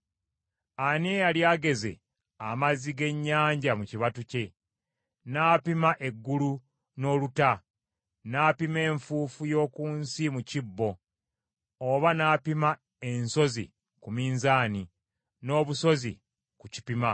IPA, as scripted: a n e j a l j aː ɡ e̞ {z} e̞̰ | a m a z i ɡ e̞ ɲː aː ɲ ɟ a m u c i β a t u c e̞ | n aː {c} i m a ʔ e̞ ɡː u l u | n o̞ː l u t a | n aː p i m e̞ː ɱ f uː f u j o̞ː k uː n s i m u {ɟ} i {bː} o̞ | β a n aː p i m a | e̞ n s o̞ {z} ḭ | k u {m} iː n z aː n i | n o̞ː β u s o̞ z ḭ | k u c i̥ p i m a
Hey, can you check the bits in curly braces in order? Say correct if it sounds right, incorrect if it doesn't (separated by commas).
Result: correct, incorrect, incorrect, correct, correct, correct